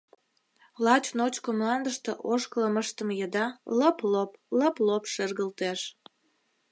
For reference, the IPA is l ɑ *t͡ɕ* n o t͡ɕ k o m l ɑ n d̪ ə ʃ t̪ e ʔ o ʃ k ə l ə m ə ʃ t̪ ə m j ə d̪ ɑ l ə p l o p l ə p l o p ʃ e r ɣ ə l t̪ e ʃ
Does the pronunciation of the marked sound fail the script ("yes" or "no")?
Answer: no